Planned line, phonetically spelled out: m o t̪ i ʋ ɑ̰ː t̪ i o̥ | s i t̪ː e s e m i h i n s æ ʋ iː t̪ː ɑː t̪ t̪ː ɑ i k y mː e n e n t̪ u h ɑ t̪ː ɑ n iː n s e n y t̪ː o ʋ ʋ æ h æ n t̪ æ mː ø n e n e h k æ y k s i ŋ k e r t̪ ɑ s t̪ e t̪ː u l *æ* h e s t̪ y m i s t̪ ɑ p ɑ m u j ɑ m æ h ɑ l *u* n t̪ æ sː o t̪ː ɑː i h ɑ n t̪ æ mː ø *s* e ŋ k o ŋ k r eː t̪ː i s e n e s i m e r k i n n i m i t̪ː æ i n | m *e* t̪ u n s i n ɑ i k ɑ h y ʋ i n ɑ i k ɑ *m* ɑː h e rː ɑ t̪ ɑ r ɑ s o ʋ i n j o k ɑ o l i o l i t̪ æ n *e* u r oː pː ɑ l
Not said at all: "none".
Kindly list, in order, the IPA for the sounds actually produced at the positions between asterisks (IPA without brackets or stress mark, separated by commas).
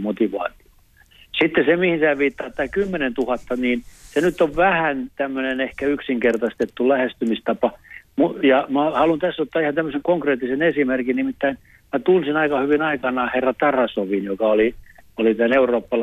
æ, u, s, æ, n, e